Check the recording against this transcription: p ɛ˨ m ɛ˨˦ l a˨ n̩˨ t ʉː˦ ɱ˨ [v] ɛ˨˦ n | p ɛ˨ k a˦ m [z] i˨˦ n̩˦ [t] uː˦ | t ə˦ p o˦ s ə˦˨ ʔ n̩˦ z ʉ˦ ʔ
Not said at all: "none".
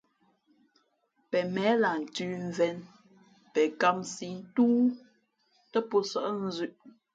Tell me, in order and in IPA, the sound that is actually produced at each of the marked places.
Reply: v, s, t

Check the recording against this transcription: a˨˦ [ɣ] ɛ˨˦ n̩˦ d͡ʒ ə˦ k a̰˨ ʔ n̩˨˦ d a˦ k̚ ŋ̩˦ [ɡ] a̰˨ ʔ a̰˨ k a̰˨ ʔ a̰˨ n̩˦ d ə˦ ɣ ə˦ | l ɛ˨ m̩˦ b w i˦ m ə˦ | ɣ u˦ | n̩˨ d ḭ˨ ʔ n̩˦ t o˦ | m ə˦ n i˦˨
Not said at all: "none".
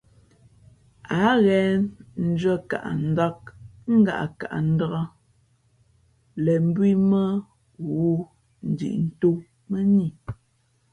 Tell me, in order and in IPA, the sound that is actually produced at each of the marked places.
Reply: ɣ, ɡ

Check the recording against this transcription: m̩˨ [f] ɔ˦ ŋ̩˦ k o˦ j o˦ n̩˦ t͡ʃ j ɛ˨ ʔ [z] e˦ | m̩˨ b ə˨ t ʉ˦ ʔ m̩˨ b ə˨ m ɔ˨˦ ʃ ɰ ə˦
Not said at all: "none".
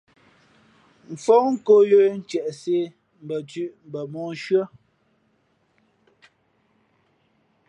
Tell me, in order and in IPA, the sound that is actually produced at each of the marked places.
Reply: f, s

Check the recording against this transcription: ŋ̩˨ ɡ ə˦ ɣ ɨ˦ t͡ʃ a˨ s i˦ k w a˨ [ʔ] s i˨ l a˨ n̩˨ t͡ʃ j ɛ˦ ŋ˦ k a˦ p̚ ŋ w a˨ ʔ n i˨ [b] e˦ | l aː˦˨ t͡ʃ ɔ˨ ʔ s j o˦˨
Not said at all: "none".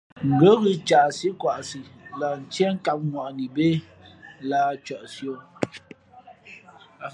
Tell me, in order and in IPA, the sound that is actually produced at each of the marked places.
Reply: ʔ, b

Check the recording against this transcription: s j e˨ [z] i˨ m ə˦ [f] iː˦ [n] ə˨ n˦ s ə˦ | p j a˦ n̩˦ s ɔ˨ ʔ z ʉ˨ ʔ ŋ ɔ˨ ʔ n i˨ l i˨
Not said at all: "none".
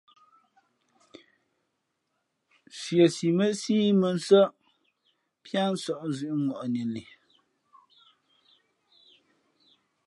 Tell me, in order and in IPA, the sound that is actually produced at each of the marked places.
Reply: s, s, m

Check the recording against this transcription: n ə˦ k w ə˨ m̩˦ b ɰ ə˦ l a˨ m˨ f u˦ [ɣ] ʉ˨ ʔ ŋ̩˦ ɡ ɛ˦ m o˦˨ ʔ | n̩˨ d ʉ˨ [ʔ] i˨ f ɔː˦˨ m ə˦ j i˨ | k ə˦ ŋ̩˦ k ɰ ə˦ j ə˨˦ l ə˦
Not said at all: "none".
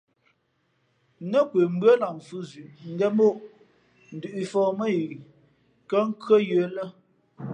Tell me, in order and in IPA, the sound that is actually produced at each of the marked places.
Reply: z, ʔ

